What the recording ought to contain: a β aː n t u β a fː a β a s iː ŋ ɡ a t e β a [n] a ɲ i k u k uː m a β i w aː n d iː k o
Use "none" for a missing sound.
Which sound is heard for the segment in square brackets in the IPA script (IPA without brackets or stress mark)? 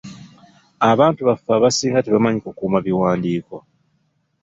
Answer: m